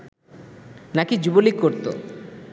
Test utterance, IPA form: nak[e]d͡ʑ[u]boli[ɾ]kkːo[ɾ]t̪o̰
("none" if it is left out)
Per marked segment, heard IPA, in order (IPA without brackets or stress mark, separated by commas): i, u, none, ɾ